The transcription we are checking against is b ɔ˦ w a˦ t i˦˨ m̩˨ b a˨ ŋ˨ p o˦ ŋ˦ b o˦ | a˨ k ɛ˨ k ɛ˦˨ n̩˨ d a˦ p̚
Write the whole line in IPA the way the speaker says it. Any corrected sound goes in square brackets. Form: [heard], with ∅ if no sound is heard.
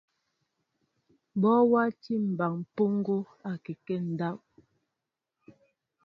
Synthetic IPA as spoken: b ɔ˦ w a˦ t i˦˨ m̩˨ b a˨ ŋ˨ p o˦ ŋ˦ [ɡ] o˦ | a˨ k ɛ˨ k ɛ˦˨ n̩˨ d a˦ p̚